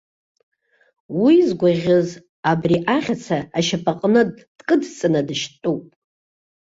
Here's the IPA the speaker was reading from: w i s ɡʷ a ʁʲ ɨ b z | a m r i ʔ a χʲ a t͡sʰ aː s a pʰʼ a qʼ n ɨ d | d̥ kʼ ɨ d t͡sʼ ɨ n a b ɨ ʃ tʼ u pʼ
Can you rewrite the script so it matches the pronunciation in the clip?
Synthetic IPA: w i z ɡʷ a ʁʲ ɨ z | a b r i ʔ a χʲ a t͡sʰ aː ʃ a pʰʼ a qʼ n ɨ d | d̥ kʼ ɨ d t͡sʼ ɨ n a d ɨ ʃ tʼ u pʼ